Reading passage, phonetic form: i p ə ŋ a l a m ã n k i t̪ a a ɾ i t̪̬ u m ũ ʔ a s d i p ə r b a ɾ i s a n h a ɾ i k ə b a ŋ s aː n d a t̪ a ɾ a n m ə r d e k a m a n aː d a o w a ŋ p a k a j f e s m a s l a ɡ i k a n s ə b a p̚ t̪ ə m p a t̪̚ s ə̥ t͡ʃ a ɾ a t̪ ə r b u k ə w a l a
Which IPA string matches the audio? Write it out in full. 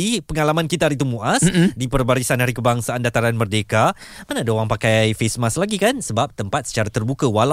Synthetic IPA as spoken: i p ə ŋ a l a m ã n k i t̪ a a ɾ i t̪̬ u m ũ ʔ a s d i p ə r b a ɾ i s a n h a ɾ i k ə b a ŋ s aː n d a t̪ a ɾ a n m ə r d e k a m a n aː d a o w a ŋ p a k a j f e s m a s l a ɡ i k a n s ə b a p̚ t̪ ə m p a t̪̚ s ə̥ t͡ʃ a ɾ a t̪ ə r b u k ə w a l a